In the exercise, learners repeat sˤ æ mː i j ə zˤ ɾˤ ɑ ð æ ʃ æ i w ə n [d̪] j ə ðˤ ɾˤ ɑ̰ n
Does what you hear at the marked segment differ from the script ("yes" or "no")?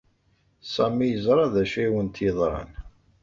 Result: yes